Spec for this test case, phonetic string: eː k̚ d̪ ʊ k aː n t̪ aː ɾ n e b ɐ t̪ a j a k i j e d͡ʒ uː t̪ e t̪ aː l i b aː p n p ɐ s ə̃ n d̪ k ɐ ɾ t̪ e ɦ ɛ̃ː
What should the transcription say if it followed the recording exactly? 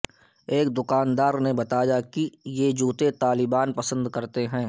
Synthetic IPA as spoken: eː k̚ d̪ ʊ k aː n d̪ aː ɾ n e b ɐ t̪ a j a k i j e d͡ʒ uː t̪ e t̪ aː l ɪ b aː n p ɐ s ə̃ n d̪ k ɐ ɾ t̪ e ɦ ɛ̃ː